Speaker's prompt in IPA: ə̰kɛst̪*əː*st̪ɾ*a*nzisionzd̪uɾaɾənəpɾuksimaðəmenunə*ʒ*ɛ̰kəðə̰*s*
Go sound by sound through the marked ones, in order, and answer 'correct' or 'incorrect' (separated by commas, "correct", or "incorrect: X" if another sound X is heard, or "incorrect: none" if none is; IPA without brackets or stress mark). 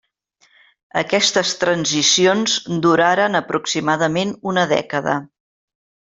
incorrect: ə, incorrect: ə, incorrect: ð, incorrect: none